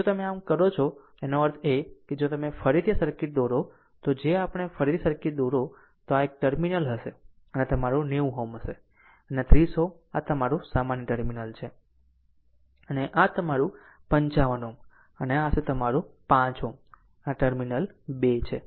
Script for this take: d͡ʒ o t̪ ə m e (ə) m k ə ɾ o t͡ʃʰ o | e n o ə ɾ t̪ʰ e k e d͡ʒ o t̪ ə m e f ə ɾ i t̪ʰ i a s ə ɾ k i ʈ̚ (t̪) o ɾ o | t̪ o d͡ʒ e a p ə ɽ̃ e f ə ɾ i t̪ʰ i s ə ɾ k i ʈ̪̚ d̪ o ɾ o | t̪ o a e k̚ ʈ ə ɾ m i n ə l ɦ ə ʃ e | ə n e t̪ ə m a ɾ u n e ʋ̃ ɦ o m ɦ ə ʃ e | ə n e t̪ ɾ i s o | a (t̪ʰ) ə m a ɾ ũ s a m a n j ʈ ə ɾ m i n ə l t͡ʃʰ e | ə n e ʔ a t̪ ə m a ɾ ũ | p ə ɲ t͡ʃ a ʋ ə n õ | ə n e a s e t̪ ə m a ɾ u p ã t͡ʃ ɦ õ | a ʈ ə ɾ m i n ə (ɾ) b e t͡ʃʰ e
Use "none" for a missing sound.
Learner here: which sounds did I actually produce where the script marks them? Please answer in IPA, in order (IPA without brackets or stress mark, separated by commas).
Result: a, d̪, t̪, l